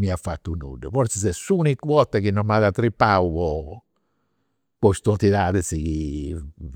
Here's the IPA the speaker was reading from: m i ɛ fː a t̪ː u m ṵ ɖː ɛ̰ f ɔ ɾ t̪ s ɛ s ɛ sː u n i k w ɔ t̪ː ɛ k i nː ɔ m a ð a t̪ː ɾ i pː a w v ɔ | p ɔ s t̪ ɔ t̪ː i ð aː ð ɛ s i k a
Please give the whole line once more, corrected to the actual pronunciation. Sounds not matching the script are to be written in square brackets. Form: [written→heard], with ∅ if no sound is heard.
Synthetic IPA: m i [ɛ→a] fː a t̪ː u [m→n] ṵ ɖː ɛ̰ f ɔ ɾ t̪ s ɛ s ɛ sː u n i k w ɔ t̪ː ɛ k i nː ɔ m a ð a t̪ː ɾ i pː a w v ɔ | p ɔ s t̪ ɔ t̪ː i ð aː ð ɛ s i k [a→i]